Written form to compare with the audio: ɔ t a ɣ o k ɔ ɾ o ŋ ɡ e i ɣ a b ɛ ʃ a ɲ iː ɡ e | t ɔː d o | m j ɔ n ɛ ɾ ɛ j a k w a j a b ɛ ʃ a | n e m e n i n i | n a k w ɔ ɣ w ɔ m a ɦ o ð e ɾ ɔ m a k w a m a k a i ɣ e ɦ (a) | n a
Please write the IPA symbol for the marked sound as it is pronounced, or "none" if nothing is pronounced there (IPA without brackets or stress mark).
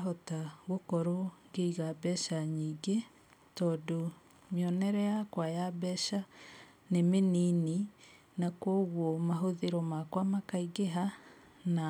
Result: a